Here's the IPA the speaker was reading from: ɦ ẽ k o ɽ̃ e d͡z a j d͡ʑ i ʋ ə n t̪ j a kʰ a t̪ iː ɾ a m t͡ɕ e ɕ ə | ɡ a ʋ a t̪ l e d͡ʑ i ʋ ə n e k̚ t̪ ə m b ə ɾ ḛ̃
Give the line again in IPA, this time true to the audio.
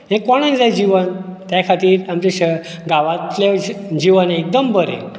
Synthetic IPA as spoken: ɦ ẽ k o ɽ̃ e d͡z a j d͡ʑ i ʋ ə n t̪ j a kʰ a t̪ iː ɾ a m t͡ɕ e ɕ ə | ɡ a ʋ a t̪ l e d͡ʑ i ʋ ə n e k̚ d̪ ə m b ə ɾ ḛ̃